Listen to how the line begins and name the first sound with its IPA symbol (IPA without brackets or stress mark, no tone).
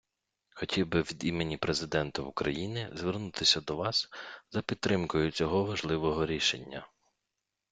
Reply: x